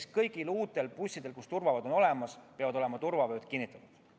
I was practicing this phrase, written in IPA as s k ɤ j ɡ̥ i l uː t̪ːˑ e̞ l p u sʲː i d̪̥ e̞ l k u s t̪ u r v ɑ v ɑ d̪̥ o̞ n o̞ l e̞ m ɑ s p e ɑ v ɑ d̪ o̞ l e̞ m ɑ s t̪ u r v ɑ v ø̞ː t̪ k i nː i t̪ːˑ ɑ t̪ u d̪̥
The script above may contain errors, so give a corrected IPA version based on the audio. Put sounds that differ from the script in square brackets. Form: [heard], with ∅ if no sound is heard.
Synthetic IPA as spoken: s k ɤ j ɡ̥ i l uː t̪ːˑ e̞ l p u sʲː i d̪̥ e̞ l k u s t̪ u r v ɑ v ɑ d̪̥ o̞ n o̞ l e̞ m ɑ s p e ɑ v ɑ d̪ o̞ l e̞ m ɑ [∅] t̪ u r v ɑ v ø̞ː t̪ k i nː i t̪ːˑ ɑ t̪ u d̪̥